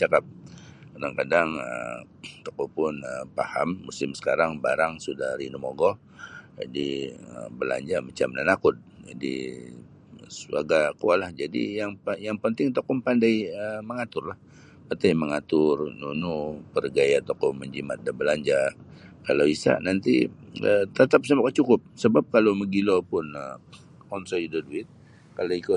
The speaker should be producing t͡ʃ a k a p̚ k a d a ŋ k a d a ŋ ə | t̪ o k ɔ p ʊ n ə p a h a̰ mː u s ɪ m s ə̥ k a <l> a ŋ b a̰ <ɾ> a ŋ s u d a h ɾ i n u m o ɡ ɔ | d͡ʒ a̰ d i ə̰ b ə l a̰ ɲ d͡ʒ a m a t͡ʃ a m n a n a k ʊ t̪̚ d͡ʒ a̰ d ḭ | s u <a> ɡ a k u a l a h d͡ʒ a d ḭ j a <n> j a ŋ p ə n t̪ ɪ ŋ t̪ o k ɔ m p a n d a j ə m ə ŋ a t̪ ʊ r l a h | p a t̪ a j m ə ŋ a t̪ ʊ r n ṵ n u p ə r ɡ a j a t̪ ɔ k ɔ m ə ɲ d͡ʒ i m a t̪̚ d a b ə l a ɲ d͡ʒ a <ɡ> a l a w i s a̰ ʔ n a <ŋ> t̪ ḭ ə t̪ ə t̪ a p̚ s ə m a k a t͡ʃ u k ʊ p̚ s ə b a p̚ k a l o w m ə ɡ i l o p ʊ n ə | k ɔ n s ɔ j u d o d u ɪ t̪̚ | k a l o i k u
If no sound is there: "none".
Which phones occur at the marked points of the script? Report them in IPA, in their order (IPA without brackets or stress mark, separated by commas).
ɾ, ɾ, a, ŋ, k, n